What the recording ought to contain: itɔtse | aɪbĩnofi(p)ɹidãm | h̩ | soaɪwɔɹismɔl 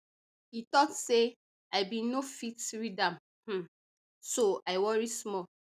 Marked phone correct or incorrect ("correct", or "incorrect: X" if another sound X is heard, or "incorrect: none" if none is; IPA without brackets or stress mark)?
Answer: incorrect: t